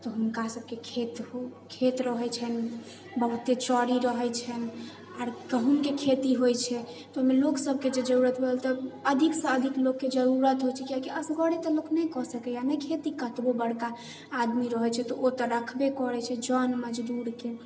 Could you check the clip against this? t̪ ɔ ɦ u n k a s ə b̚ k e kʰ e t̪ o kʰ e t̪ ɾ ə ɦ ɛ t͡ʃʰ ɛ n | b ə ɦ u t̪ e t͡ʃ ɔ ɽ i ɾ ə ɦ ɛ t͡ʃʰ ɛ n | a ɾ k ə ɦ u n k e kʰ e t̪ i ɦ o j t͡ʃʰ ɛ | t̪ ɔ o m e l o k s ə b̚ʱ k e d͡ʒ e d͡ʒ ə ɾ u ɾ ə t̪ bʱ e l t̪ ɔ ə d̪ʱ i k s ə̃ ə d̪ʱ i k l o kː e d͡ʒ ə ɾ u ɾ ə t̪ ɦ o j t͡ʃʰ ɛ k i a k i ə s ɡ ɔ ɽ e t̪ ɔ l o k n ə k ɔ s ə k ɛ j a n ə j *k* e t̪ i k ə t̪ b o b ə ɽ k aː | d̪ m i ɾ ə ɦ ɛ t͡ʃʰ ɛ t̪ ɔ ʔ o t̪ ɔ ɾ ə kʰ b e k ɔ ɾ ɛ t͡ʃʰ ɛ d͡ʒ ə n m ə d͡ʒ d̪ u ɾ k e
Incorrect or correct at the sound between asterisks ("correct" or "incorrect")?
incorrect